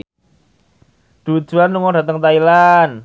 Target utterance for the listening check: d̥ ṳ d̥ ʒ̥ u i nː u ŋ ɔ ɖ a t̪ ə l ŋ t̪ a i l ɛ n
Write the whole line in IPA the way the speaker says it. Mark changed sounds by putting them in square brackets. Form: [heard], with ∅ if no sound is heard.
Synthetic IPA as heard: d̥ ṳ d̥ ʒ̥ u [a] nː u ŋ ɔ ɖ a t̪ ə [∅] ŋ t̪ a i l [a] n